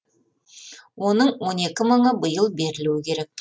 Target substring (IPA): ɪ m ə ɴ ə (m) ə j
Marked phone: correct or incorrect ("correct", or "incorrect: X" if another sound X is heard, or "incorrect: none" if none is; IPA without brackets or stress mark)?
incorrect: b